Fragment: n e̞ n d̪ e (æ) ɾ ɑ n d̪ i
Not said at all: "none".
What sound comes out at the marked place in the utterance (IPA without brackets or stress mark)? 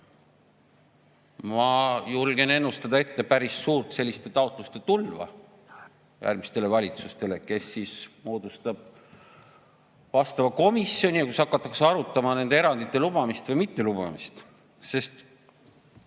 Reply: e